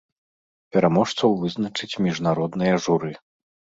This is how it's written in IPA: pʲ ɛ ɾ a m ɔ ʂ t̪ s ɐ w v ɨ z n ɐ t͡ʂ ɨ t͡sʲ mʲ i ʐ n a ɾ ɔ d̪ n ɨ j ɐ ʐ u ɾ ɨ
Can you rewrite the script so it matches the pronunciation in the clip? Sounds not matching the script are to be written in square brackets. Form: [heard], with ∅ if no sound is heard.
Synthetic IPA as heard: pʲ ɛ ɾ a m ɔ ʂ t̪ s ɐ w v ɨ z n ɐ t͡ʂ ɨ t͡sʲ mʲ i ʐ n a ɾ ɔ d̪ n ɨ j ɐ ʐ u ɾ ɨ

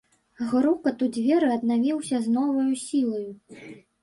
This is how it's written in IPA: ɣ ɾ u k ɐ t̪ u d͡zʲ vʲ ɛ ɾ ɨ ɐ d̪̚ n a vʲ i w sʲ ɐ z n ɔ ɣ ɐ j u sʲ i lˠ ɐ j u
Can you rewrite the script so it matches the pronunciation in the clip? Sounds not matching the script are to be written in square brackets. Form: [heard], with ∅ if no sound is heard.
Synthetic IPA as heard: ɣ ɾ u k ɐ t̪ u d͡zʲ vʲ ɛ ɾ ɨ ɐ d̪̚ n a vʲ i w sʲ ɐ z n ɔ [v] ɐ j u sʲ i lˠ ɐ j u

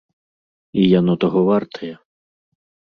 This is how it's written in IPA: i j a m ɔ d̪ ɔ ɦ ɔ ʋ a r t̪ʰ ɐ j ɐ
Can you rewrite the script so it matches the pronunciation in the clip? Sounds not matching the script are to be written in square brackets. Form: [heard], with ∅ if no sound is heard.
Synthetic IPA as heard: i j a [n] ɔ [t̪] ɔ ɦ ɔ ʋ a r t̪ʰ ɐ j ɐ

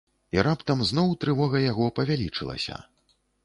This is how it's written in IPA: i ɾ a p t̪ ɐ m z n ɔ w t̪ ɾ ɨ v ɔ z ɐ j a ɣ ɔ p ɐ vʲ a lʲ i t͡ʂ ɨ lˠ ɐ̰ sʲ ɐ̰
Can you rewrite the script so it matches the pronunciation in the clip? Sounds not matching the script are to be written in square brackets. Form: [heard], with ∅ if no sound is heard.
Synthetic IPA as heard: i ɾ a p t̪ ɐ m z n ɔ w t̪ ɾ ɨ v ɔ [ɣ] ɐ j a ɣ ɔ p ɐ vʲ a lʲ i t͡ʂ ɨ lˠ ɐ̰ sʲ ɐ̰

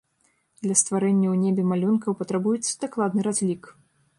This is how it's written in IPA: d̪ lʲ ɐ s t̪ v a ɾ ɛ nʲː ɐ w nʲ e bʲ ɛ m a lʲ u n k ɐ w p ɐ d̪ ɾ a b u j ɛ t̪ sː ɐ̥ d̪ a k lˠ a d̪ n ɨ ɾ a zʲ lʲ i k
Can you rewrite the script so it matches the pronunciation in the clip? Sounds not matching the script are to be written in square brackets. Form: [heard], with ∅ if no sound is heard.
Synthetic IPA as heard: d̪ lʲ ɐ s t̪ v a ɾ ɛ nʲː ɐ w nʲ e bʲ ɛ m a lʲ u n k ɐ w p ɐ [t̪] ɾ a b u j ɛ t̪ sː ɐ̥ d̪ a k lˠ a d̪ n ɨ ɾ a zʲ lʲ i k

